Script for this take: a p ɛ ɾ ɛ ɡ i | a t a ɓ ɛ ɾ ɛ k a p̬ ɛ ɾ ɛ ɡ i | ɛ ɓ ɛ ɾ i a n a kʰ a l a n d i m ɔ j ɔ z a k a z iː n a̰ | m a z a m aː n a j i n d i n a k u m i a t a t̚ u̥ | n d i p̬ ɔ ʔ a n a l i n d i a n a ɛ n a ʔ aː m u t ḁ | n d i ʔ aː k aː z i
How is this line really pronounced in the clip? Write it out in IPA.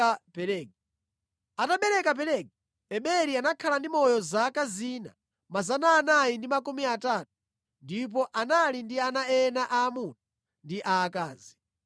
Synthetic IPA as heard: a p ɛ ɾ ɛ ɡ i | a t a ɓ ɛ ɾ ɛ k a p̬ ɛ ɾ ɛ ɡ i | ɛ ɓ ɛ ɾ i a n a kʰ a l a n d i m ɔ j ɔ z a k a z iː n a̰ | m a z a n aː n a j i n d i m a k u m i a t a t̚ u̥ | n d i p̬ ɔ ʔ a n a l i n d i a n a ɛ n a ʔ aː m u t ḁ | n d i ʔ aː k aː z i